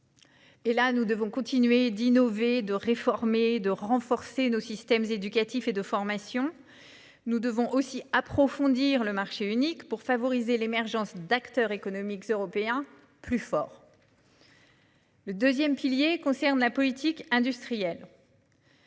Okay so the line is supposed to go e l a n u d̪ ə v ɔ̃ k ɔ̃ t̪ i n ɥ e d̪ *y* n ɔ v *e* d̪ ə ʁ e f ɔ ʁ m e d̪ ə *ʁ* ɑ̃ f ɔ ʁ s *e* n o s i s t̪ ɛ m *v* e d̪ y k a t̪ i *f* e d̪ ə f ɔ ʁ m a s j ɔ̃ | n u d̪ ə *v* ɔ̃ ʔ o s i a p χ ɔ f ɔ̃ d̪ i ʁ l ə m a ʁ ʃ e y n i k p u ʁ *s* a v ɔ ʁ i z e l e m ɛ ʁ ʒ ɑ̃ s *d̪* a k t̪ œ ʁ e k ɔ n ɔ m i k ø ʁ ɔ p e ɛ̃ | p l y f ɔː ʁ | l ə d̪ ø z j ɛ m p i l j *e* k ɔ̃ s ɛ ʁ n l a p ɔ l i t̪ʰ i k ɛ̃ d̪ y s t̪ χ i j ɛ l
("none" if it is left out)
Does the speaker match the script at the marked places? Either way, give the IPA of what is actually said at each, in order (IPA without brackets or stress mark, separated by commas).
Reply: i, e, ʁ, e, z, f, v, f, d̪, e